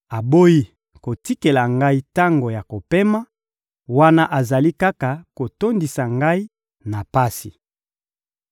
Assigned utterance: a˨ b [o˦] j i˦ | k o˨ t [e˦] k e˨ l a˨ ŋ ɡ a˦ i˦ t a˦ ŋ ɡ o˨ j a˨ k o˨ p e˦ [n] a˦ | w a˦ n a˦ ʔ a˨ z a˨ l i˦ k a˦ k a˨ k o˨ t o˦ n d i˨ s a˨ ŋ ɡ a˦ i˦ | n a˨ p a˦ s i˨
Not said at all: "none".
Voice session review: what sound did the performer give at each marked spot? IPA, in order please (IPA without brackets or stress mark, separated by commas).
o˦, i˦, m